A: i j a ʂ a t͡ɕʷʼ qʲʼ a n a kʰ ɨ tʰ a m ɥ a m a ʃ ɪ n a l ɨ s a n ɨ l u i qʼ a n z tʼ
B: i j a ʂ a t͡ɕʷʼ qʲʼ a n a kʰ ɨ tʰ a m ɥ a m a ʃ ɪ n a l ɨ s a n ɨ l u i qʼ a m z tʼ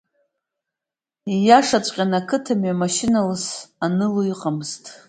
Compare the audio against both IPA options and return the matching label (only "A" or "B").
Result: B